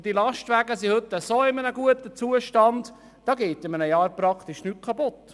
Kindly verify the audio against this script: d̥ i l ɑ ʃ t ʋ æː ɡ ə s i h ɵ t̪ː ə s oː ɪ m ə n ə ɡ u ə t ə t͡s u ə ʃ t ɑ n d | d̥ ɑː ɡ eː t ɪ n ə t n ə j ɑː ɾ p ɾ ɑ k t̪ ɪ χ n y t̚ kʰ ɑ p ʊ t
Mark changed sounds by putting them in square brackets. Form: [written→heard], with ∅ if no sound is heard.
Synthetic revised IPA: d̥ i l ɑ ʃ t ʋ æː ɡ ə s i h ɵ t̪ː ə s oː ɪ m ə n ə ɡ u ə t ə t͡s u ə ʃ t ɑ n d | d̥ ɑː ɡ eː t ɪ [n→m] ə [t→∅] n ə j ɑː ɾ p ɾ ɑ k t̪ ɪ [χ→ʃ] n y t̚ kʰ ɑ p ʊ t